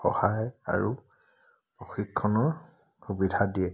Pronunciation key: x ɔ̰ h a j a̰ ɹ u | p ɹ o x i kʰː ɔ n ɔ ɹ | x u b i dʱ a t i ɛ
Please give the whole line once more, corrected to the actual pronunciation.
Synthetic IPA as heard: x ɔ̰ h a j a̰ ɹ u | p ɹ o x i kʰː ɔ n ɔ ɹ | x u b i dʱ a d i ɛ